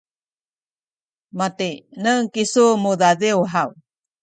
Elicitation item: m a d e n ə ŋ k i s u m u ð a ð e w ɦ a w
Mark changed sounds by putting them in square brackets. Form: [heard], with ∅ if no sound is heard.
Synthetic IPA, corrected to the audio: m a [t] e n ə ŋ k i s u m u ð a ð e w ɦ a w